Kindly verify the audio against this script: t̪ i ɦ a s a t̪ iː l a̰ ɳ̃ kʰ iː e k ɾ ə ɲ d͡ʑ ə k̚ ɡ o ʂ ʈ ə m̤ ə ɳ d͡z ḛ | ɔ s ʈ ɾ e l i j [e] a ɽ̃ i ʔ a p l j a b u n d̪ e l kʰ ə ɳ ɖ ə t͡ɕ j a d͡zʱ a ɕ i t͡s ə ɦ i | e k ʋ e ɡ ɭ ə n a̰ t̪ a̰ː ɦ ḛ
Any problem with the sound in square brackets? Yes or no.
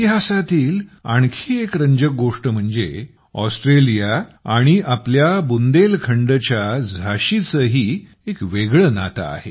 yes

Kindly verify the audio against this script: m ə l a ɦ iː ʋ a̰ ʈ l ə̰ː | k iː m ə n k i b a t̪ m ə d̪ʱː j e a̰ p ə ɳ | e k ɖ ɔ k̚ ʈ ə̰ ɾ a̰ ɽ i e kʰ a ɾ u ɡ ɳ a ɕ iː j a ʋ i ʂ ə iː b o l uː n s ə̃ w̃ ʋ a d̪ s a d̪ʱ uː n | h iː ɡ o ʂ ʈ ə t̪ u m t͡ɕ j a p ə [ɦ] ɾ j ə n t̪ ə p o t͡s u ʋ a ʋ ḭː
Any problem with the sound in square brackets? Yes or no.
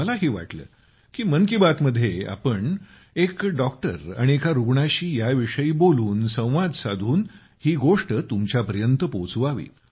yes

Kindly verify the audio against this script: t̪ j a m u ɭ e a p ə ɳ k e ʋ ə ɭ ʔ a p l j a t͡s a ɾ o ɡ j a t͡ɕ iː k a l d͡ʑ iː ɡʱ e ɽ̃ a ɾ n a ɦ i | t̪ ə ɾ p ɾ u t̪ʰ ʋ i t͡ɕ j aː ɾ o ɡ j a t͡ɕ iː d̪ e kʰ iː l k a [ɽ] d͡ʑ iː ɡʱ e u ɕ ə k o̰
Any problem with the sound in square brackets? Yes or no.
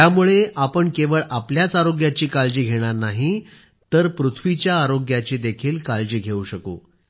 yes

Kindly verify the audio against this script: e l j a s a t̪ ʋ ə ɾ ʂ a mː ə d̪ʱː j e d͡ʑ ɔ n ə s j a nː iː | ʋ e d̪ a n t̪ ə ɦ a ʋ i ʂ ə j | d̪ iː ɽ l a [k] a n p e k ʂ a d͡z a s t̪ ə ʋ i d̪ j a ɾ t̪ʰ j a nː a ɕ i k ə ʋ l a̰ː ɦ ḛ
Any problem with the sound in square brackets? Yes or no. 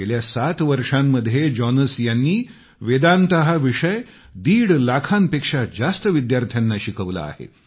yes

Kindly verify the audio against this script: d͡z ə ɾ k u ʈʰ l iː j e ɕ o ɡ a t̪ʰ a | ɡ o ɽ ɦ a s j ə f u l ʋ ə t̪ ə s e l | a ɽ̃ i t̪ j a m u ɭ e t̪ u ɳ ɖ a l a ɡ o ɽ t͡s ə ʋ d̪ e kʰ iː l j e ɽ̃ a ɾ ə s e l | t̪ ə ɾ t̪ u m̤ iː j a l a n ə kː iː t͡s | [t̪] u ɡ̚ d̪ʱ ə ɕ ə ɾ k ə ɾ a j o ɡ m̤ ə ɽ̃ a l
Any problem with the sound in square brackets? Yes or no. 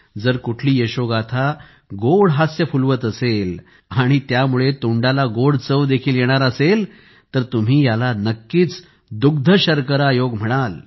yes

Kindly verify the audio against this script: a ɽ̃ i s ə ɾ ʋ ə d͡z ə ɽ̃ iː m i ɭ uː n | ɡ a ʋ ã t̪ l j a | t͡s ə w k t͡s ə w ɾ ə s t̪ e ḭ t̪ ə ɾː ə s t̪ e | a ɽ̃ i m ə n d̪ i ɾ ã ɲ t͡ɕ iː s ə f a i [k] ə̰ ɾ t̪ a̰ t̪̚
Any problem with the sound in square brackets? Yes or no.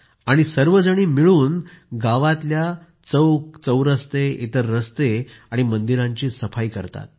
no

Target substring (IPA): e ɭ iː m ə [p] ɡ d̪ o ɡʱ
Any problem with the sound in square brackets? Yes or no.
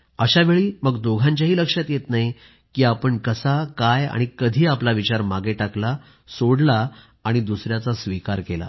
yes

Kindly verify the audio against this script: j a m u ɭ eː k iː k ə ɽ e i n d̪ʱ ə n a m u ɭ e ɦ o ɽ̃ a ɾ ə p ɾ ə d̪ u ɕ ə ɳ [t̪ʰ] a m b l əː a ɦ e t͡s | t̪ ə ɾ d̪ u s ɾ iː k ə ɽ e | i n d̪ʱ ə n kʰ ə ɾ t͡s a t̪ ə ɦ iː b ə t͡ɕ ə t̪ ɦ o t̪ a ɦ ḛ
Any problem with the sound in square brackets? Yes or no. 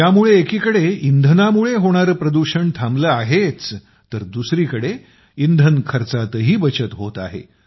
no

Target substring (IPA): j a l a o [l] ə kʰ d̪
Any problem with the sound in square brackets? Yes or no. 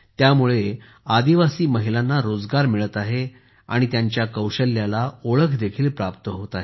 yes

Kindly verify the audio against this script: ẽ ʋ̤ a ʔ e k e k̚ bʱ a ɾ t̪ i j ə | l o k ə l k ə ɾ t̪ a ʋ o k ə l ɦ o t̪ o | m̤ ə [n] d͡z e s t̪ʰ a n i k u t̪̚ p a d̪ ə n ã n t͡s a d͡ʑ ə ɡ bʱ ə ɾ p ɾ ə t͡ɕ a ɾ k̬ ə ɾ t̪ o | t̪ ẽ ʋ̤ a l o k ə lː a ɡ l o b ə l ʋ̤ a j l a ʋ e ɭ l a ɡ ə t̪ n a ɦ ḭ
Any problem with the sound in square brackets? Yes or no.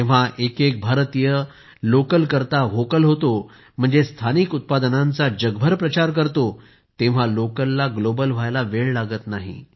yes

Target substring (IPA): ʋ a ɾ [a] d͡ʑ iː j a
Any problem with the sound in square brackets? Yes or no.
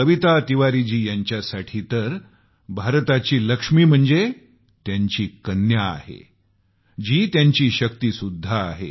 yes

